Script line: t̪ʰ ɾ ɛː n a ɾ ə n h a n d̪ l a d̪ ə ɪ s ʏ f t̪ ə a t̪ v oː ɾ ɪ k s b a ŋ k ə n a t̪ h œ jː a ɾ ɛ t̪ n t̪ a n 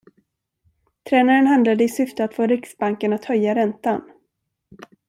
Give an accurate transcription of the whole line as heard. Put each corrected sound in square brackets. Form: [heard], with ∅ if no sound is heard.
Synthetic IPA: t̪ʰ ɾ ɛː n a ɾ ə n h a n d̪ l a d̪ ə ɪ s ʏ f t̪ ə a t̪ [f] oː ɾ ɪ k s b a ŋ k ə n a t̪ h œ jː a ɾ ɛ [∅] n t̪ a n